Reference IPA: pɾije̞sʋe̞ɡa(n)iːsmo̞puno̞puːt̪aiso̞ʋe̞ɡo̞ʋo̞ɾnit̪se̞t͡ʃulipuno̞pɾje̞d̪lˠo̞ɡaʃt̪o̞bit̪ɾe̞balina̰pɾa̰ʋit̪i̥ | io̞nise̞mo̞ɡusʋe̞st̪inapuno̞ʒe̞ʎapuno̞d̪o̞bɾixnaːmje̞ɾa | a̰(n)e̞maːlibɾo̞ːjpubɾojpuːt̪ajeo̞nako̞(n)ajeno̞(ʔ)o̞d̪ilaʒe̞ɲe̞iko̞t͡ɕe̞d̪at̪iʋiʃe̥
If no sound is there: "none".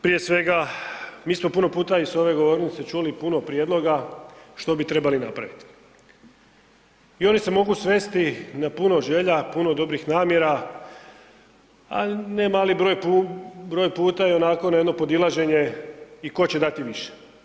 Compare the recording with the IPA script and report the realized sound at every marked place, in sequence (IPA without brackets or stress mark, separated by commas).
m, n, n, p